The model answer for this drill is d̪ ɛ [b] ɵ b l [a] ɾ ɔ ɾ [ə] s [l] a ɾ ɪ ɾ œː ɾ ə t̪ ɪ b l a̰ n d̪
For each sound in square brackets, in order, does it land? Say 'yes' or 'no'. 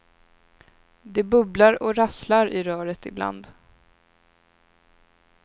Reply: yes, yes, no, yes

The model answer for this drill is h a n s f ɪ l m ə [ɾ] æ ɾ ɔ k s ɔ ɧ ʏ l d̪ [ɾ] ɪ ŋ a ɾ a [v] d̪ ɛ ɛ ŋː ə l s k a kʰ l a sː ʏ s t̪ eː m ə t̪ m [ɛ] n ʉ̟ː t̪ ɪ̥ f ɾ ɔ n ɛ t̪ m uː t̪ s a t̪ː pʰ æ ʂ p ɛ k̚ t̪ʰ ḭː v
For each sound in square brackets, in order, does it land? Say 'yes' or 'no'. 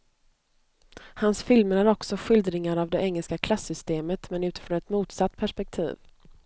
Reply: yes, yes, yes, yes

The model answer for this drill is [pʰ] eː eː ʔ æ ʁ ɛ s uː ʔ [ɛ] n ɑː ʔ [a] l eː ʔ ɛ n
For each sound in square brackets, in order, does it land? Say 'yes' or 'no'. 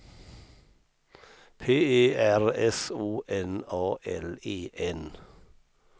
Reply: yes, yes, no

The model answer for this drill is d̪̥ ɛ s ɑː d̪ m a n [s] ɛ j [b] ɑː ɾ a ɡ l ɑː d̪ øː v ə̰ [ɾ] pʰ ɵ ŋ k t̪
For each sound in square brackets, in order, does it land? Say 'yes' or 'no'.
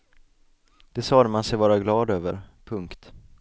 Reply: yes, no, yes

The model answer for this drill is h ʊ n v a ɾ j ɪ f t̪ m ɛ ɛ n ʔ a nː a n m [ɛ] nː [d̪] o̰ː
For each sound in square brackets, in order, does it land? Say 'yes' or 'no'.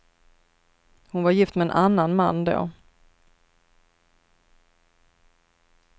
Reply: no, yes

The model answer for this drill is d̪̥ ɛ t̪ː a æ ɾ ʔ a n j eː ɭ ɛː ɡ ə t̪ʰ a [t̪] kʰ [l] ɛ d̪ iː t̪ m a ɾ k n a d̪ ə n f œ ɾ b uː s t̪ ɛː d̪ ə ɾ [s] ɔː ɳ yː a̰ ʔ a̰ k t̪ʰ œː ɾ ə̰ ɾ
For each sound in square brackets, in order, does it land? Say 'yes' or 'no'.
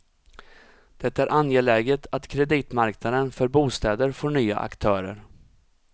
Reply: yes, no, no

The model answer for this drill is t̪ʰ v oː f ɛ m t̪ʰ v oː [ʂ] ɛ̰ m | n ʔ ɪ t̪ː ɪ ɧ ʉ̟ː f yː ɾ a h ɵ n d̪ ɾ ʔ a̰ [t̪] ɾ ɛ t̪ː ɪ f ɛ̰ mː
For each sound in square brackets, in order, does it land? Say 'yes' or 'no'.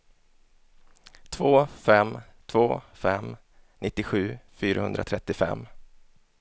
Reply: no, no

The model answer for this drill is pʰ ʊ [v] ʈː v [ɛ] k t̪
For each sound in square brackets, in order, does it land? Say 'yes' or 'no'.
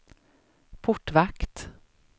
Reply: no, no

